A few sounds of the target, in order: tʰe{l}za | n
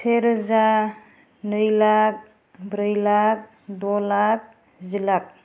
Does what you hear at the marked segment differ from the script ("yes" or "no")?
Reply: yes